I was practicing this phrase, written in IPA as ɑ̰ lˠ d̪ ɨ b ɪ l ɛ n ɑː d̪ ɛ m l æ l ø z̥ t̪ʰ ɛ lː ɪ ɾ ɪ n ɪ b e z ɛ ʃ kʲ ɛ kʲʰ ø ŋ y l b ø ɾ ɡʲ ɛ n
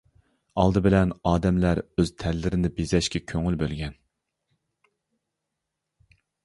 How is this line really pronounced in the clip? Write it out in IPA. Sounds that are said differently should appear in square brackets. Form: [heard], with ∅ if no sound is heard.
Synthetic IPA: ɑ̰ lˠ d̪ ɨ b ɪ l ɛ n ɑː d̪ ɛ m l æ [ɾ] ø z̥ t̪ʰ ɛ lː ɪ ɾ ɪ n ɪ b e z ɛ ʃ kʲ ɛ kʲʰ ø ŋ y l b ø [l] ɡʲ ɛ n